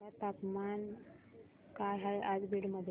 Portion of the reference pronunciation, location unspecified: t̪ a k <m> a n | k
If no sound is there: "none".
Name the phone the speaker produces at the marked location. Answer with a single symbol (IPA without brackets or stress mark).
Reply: m